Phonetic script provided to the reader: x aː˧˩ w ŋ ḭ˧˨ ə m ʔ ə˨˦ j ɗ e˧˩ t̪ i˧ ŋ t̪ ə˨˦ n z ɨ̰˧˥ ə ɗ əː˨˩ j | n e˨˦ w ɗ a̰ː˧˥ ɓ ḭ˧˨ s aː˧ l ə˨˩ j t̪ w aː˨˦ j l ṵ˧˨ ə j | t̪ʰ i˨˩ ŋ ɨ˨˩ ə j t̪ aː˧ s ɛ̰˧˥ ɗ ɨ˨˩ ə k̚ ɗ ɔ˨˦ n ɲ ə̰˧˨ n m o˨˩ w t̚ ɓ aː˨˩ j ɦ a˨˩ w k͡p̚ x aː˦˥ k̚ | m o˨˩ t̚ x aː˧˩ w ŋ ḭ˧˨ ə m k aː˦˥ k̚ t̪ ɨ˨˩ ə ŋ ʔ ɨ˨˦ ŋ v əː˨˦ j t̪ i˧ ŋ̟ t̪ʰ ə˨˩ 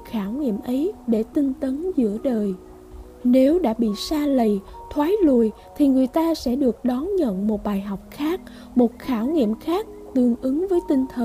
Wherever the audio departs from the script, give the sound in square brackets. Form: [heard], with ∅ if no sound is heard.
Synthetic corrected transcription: x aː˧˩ w ŋ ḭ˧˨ ə m ʔ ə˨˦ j ɗ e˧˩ t̪ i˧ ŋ t̪ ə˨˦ n z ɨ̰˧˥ ə ɗ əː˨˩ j | n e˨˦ w ɗ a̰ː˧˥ ɓ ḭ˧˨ s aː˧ l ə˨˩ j [t̪ʰ] w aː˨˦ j l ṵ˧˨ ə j | t̪ʰ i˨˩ ŋ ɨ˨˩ ə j t̪ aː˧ s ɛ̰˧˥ ɗ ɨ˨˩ ə k̚ ɗ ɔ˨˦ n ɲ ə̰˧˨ n m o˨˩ [∅] t̚ ɓ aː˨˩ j ɦ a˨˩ w k͡p̚ x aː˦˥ k̚ | m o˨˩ t̚ x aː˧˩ w ŋ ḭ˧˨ ə m [x] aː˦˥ k̚ t̪ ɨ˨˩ ə ŋ ʔ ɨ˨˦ ŋ v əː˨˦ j t̪ i˧ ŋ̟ t̪ʰ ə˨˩